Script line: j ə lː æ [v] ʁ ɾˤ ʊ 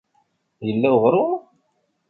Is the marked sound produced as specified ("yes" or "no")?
no